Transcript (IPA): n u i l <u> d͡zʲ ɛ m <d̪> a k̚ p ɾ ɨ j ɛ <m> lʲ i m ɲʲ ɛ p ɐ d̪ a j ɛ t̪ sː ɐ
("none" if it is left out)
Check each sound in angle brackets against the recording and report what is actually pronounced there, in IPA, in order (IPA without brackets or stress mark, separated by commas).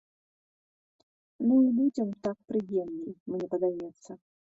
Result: u, t̪, m